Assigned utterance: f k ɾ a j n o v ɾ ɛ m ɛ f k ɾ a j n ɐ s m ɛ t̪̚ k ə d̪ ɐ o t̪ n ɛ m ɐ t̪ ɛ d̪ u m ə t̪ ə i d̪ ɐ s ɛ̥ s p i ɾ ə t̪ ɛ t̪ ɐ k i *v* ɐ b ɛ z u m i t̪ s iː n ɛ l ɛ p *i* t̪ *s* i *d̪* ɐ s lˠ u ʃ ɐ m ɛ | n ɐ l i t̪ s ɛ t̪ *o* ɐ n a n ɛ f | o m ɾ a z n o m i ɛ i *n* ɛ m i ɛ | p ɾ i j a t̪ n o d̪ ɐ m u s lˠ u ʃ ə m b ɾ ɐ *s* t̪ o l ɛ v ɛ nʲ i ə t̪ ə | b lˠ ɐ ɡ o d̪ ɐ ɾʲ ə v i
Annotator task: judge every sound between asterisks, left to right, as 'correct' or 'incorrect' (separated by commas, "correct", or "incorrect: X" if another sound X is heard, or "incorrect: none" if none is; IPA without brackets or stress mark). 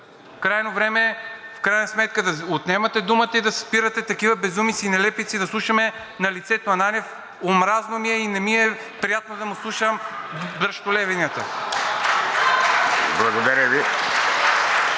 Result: correct, correct, correct, correct, correct, correct, incorrect: ʃ